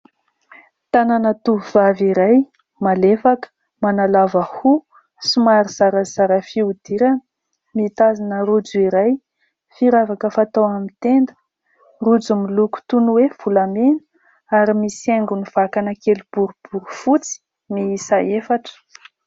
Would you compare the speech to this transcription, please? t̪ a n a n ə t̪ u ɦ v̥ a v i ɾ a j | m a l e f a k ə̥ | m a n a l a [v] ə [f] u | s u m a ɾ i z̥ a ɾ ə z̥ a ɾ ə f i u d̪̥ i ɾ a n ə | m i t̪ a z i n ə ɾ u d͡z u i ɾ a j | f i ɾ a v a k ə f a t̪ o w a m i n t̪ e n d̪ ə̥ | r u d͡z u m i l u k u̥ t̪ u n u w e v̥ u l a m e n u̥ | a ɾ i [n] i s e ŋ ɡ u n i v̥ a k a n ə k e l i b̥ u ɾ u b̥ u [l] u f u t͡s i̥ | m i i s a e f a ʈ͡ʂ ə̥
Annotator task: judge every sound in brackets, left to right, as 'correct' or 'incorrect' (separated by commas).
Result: correct, incorrect, incorrect, incorrect